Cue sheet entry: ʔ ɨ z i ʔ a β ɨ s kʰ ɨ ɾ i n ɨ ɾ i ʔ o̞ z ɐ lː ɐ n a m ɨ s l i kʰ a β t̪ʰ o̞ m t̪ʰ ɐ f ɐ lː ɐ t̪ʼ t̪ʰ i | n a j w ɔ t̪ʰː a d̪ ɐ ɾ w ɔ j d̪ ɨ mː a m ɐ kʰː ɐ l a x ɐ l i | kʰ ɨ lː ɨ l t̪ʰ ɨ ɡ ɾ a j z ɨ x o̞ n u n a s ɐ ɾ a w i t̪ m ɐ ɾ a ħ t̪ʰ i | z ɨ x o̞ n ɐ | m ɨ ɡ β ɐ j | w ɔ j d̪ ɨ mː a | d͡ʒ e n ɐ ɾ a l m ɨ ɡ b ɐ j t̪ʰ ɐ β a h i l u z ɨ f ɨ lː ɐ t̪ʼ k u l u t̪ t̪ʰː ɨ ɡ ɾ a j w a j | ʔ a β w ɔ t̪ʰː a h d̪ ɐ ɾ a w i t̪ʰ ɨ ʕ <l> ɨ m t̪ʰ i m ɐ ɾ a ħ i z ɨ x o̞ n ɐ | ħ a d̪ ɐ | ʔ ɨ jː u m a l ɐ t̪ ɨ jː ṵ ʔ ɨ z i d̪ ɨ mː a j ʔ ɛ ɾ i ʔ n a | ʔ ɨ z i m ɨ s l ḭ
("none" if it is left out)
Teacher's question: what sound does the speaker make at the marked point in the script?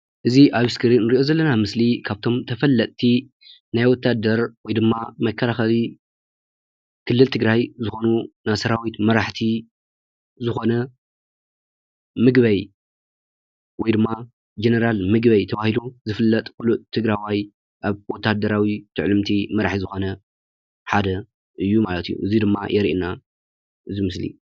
l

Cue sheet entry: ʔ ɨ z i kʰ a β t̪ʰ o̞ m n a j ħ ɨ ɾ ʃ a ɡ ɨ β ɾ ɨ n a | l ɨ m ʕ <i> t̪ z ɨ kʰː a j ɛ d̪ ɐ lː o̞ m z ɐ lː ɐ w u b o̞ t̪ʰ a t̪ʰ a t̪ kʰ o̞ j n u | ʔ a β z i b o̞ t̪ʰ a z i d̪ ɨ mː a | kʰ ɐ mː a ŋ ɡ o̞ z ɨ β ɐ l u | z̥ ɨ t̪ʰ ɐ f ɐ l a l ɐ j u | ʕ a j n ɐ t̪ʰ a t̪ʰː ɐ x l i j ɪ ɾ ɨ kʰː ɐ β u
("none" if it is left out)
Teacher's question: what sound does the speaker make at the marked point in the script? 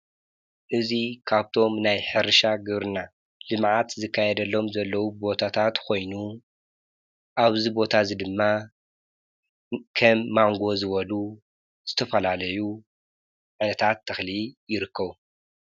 a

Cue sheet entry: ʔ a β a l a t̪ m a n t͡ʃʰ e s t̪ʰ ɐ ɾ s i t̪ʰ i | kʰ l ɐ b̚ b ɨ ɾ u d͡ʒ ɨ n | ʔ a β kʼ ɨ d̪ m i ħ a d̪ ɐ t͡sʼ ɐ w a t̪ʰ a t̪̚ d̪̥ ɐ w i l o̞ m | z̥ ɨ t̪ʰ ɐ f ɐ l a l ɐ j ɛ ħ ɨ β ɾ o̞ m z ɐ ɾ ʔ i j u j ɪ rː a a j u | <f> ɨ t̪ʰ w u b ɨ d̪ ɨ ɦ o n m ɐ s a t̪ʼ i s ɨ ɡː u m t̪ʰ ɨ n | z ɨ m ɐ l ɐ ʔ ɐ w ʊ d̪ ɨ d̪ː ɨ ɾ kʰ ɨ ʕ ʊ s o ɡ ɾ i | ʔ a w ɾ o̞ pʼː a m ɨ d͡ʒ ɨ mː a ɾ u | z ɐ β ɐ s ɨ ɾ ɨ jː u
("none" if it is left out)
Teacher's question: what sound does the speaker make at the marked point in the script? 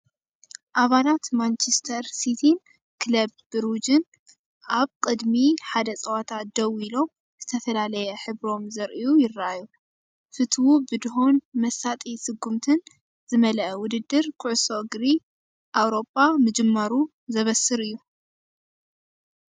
f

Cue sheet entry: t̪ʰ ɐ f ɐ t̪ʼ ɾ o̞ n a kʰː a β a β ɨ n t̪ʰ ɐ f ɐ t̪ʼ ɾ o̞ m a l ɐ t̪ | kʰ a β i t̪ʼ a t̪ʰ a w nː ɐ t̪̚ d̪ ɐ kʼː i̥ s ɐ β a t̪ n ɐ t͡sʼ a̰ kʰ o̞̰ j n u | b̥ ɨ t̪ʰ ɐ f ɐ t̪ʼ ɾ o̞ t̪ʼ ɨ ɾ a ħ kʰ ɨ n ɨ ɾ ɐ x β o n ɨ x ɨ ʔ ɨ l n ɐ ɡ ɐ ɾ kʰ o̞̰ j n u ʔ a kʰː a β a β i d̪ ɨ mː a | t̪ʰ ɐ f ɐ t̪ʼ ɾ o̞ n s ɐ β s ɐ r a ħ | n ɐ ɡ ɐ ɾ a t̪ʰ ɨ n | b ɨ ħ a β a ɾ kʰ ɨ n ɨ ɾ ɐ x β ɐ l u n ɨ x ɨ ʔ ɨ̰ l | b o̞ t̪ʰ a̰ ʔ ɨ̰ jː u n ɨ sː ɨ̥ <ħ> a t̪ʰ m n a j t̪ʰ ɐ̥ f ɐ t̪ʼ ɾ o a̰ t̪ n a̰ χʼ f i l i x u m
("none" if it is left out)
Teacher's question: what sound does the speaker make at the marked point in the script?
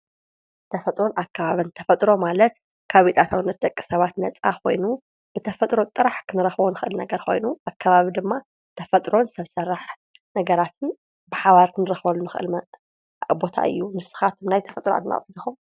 x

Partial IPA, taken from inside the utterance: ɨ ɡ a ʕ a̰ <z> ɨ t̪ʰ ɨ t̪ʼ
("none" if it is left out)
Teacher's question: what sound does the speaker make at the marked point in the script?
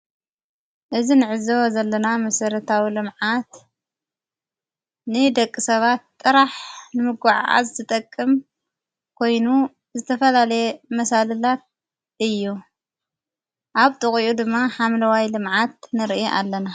z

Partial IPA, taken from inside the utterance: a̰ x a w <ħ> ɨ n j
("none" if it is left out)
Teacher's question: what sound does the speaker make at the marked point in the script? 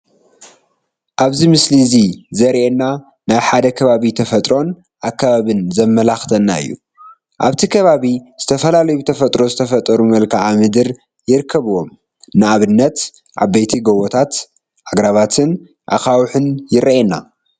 ħ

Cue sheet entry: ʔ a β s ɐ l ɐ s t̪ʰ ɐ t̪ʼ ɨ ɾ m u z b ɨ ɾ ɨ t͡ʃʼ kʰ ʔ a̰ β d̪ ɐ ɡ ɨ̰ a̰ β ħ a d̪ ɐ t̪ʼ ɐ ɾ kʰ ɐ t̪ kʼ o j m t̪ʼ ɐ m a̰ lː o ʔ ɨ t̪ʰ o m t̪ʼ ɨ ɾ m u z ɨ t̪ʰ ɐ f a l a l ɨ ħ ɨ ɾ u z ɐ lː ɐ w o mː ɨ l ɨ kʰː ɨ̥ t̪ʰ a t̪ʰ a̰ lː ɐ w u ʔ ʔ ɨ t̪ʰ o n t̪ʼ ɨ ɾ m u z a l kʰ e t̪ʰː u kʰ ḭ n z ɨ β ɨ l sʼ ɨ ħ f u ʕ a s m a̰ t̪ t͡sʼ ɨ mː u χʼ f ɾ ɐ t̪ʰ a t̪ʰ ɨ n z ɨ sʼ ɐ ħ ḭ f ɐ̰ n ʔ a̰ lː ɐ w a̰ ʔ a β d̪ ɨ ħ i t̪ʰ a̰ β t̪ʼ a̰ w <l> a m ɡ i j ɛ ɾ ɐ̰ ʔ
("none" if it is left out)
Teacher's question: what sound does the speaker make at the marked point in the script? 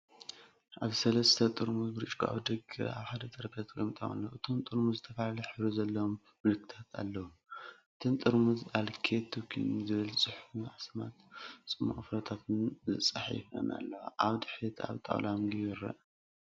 l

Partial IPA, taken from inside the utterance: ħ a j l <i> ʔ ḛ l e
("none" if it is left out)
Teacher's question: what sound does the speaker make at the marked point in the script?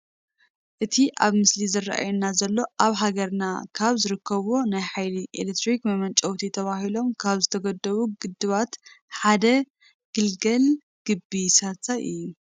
i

